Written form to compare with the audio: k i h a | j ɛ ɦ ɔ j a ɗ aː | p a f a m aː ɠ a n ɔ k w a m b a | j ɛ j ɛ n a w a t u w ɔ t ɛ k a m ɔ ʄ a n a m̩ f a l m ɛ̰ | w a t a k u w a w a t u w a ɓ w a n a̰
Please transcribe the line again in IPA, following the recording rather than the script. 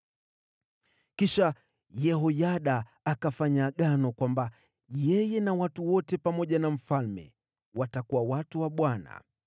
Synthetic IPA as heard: k i ʃ a | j ɛ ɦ ɔ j a ɗ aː | k a f a ɲ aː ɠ a n ɔ k w a m b a | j ɛ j ɛ n a w a t u w ɔ t ɛ p a m ɔ ʄ a n a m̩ f a l m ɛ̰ | w a t a k u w a w a t u w a ɓ w a n a̰